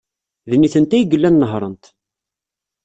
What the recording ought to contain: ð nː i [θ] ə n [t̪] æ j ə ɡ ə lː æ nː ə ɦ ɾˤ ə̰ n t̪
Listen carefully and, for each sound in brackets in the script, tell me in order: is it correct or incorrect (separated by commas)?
correct, correct